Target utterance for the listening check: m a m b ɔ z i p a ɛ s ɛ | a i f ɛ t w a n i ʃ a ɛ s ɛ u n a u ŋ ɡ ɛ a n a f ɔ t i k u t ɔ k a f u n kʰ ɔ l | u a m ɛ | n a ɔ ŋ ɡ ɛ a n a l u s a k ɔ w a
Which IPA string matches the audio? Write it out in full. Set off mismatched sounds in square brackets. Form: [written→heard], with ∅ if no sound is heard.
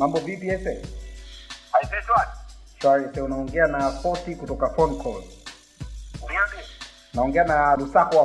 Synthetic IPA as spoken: m a m b ɔ [z→v] i p [a→i] ɛ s ɛ | a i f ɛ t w a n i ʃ a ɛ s ɛ u n a [u→ɔ] ŋ ɡ ɛ a n a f ɔ t i k u t ɔ k a f [u→ɔ] n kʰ ɔ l | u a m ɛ | n a ɔ ŋ ɡ ɛ a n a l u s a k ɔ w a